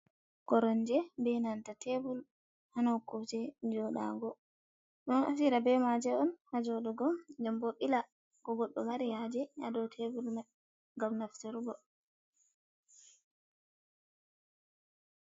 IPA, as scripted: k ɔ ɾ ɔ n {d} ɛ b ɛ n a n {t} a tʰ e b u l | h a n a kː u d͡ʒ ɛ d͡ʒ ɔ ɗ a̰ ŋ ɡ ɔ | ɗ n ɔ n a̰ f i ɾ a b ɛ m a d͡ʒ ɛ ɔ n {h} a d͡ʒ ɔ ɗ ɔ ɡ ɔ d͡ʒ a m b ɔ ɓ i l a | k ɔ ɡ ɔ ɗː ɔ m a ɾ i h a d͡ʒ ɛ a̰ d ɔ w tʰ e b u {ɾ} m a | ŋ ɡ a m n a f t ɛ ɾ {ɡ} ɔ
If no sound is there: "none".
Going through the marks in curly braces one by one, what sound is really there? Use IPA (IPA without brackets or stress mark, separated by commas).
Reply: d͡ʒ, t, h, l, ɡ